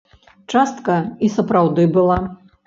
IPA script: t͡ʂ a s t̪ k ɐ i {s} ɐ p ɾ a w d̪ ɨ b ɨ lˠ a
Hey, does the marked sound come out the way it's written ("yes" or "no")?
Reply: yes